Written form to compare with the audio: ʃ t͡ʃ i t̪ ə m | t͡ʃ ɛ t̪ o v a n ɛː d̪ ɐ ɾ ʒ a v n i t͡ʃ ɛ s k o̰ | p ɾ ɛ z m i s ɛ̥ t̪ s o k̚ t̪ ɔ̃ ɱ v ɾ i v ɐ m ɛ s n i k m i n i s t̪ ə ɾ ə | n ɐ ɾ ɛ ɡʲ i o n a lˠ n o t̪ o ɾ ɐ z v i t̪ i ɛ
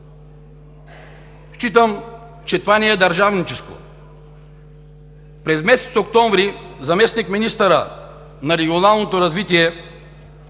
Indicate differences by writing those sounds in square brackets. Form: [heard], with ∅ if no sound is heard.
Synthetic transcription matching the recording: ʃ t͡ʃ i t̪ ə m | t͡ʃ ɛ t̪ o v a n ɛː d̪ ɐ ɾ ʒ a v n i t͡ʃ ɛ s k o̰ | p ɾ ɛ z m [ɛ] s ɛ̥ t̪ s o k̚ t̪ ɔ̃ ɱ v ɾ i [z] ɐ m ɛ s n i k m i n i s t̪ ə ɾ ə | n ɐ ɾ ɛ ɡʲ i o n a lˠ n o t̪ o ɾ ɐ z v i t̪ i ɛ